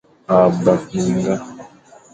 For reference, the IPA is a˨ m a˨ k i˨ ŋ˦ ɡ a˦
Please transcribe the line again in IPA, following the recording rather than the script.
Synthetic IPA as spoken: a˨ b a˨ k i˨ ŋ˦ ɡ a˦